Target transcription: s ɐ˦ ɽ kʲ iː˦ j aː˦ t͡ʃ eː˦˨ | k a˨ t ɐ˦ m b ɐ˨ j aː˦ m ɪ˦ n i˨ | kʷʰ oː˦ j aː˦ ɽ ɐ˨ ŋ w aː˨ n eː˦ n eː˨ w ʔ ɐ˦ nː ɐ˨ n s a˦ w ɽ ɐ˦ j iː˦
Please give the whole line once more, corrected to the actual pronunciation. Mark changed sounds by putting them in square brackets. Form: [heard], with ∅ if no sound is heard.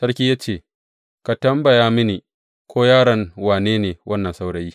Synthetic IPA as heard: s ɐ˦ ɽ kʲ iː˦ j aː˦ t͡ʃ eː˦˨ | k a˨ t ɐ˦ m b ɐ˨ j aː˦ m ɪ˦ n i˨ | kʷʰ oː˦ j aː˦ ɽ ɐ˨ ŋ w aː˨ n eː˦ n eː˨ w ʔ ɐ˦ nː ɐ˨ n s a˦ w ɽ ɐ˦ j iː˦